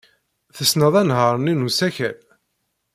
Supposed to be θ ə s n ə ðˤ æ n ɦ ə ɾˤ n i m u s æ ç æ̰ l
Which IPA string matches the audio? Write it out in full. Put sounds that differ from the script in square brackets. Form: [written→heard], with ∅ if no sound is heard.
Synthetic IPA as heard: θ ə s n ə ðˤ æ n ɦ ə ɾˤ n i [m→n] u s æ ç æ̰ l